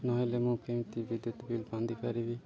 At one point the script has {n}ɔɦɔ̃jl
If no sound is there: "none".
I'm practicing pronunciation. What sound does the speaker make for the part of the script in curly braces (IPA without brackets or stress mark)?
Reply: n